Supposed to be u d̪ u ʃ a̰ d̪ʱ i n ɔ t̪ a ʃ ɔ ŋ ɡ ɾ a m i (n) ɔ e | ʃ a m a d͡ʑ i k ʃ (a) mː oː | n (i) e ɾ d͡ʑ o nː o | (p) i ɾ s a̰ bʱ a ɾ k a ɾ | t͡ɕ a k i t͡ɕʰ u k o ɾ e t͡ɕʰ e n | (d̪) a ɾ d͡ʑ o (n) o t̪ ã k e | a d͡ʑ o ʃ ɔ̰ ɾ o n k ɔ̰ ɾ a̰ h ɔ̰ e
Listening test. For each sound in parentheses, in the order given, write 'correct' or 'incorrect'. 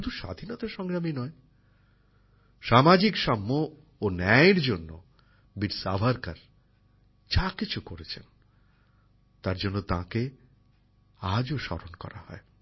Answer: correct, correct, incorrect, incorrect, incorrect, incorrect

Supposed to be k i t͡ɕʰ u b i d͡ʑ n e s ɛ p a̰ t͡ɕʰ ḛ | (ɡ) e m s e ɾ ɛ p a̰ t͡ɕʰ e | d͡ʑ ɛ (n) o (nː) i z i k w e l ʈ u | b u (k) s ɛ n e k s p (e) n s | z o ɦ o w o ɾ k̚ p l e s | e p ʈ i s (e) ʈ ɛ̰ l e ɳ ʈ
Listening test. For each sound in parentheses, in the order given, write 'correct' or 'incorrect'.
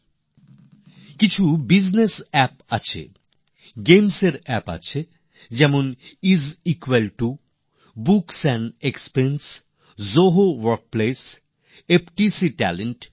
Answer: correct, incorrect, incorrect, correct, correct, incorrect

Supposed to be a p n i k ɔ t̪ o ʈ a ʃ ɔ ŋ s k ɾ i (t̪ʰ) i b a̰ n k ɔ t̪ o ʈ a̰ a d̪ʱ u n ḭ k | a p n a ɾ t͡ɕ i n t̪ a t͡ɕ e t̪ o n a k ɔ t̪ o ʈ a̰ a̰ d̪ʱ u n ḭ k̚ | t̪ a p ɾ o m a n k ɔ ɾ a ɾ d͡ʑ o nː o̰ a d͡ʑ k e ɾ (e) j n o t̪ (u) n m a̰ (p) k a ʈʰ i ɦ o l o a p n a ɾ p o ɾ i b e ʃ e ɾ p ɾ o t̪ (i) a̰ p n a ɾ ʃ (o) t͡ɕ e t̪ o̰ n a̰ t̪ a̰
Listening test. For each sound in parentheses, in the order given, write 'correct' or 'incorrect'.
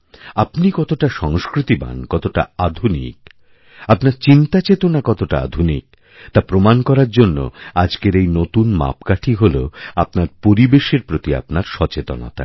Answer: incorrect, correct, correct, correct, correct, incorrect

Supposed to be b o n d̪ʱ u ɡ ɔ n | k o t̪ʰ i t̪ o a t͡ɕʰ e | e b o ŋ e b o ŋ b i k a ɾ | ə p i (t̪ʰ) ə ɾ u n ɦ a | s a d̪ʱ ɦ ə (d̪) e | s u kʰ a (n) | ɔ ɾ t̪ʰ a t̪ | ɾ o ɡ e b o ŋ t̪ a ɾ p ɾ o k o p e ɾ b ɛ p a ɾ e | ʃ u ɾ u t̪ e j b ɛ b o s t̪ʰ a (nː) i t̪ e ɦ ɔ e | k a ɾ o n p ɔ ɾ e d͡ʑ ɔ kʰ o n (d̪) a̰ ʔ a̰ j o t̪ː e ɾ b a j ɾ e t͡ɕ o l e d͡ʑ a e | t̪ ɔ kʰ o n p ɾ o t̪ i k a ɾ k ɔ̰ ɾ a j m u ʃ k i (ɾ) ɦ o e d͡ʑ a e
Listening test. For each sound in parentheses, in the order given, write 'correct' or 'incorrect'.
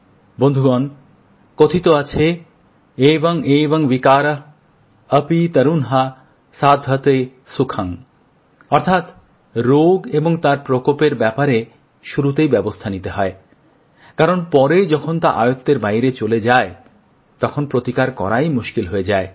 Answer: incorrect, incorrect, incorrect, incorrect, incorrect, incorrect

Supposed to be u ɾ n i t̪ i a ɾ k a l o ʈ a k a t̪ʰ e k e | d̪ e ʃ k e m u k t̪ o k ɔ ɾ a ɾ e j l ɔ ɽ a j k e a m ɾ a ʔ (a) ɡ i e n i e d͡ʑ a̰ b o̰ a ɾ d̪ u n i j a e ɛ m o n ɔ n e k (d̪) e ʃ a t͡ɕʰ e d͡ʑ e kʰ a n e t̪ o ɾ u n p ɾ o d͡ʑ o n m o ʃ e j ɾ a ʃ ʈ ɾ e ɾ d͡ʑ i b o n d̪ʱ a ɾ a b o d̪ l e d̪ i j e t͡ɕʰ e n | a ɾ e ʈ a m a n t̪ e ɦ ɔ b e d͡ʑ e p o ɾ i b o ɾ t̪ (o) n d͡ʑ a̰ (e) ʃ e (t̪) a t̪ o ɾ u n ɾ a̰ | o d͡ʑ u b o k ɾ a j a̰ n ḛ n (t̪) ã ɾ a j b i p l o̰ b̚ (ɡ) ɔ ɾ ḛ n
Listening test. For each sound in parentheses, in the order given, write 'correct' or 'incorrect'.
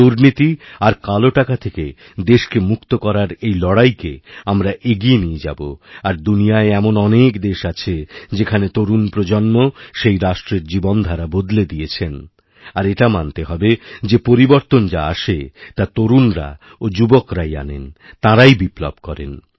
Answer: incorrect, correct, correct, incorrect, correct, correct, incorrect

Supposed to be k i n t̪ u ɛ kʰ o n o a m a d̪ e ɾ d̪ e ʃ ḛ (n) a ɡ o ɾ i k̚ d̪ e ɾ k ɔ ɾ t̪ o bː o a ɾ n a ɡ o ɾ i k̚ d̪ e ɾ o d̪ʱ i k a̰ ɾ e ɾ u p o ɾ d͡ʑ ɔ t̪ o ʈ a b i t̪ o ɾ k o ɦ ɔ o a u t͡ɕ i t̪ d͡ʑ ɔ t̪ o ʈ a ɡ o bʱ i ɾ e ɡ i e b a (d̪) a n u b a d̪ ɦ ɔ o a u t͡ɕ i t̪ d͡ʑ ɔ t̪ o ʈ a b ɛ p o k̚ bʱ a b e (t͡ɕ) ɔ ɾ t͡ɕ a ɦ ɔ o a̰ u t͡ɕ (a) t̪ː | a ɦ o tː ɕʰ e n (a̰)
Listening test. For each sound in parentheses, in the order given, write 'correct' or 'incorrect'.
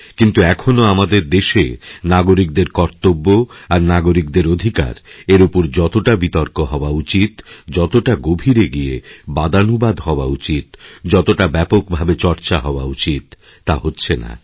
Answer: correct, correct, correct, incorrect, correct

